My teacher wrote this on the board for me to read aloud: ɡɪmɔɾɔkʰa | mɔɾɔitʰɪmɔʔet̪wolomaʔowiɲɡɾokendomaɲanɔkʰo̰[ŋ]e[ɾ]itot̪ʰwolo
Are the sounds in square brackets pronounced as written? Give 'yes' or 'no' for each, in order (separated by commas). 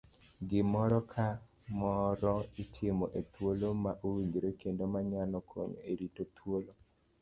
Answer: no, yes